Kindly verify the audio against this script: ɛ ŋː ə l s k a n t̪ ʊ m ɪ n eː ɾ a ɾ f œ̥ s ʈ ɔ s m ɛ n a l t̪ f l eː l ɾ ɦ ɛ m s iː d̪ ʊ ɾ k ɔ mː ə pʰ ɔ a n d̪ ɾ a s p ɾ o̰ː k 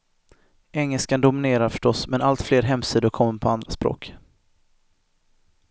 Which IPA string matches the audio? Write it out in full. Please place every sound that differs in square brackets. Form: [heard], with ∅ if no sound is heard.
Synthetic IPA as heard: ɛ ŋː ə l s k a n [d̪] ʊ m ɪ n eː ɾ a ɾ f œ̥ [ʂ] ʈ ɔ s m ɛ n a l t̪ f l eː [∅] ɾ ɦ ɛ m s iː d̪ ʊ ɾ [kʰ] ɔ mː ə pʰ ɔ a n d̪ ɾ a s p ɾ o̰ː k